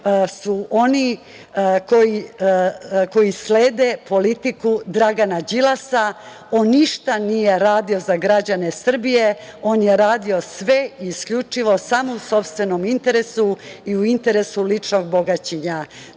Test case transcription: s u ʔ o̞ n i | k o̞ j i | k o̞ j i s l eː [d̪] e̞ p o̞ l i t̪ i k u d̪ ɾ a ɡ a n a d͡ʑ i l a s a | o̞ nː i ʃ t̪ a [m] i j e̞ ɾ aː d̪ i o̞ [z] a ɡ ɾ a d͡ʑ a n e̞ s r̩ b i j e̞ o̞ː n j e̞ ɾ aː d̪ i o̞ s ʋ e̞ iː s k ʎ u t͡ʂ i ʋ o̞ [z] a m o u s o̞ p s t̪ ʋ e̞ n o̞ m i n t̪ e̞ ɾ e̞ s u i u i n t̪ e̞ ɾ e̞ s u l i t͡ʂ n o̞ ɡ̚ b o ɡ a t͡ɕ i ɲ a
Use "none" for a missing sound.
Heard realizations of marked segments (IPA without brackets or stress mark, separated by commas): d̪, n, z, s